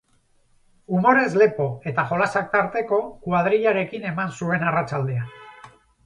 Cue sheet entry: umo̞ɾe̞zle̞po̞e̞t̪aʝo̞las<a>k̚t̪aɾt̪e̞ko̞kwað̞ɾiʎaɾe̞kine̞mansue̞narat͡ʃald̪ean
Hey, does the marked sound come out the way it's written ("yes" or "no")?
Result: yes